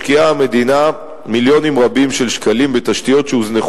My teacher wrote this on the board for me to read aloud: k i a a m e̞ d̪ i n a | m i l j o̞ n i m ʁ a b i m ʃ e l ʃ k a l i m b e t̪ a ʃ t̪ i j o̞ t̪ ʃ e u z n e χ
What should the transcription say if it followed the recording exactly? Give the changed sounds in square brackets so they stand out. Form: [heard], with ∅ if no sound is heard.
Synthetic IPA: k i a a m e̞ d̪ i n a | m i l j o̞ n i m ʁ a b i m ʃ e l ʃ k a l i m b e t̪ a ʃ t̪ i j o̞ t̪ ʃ e u z n e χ